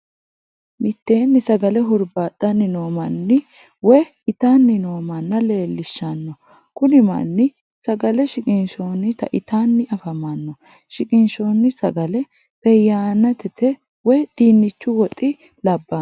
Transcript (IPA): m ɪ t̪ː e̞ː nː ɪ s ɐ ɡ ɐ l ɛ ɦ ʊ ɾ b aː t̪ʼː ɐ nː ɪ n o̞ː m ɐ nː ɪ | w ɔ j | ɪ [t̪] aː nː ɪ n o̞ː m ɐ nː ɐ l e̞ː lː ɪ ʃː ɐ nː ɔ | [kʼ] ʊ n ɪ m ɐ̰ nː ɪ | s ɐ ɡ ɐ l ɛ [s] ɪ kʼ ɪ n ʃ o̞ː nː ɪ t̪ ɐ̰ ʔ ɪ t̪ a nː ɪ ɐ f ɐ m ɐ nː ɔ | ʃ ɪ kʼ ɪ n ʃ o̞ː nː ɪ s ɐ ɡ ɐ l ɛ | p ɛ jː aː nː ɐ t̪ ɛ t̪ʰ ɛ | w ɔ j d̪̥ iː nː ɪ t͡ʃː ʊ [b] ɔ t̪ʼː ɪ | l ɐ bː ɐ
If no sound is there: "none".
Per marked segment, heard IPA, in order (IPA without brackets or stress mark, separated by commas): t̪, k, ʃ, w